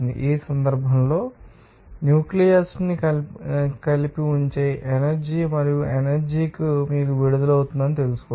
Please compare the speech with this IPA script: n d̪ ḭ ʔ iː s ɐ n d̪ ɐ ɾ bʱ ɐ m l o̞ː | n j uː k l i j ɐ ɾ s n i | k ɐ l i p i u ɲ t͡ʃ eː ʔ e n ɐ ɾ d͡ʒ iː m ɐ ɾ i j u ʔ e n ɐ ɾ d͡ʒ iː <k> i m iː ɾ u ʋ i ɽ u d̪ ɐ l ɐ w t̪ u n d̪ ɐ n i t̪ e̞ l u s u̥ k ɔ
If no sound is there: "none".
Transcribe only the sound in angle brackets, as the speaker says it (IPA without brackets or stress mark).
k